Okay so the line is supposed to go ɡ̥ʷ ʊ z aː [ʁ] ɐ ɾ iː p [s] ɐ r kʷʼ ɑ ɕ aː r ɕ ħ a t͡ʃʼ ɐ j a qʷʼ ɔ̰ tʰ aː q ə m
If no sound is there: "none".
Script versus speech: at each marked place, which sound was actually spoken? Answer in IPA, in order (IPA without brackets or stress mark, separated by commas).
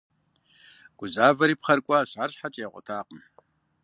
v, χ